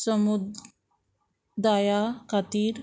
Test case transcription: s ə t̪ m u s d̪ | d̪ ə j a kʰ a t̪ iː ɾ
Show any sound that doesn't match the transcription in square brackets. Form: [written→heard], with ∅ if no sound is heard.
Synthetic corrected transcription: s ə [t̪→∅] m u [s→∅] d̪ | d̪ [ə→a] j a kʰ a t̪ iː ɾ